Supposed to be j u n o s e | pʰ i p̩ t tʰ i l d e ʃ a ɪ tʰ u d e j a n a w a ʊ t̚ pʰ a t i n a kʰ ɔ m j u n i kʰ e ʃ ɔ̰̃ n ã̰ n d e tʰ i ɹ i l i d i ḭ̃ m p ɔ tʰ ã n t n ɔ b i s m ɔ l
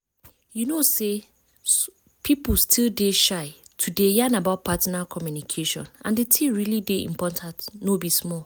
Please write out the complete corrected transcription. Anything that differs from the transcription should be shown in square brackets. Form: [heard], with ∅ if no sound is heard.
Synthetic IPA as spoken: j u n o s e | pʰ i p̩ [s] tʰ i l d e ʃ a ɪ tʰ u d e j a n a [b] a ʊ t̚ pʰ a t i n a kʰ ɔ m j u n i kʰ e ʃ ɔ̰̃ n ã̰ n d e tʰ i ɹ i l i d [e] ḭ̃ m p ɔ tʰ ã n t n [o] b i s m ɔ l